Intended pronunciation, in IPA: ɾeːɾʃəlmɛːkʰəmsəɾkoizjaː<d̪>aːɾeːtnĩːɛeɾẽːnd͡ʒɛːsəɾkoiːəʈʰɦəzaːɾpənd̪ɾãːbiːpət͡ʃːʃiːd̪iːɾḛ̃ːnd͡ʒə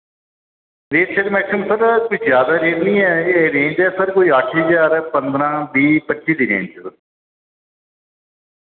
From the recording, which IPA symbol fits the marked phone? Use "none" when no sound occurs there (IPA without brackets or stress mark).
d̪